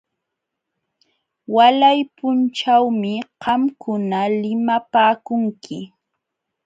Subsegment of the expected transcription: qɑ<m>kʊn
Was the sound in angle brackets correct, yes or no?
yes